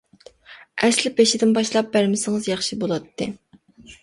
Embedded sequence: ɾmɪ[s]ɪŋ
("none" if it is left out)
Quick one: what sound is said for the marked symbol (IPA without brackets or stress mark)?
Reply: s